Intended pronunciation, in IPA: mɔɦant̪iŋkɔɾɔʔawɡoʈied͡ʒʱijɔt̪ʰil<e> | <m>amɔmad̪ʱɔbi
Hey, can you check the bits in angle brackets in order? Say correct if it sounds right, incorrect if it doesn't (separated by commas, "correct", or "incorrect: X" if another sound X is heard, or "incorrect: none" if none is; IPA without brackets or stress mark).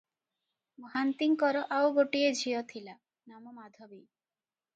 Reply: incorrect: a, incorrect: n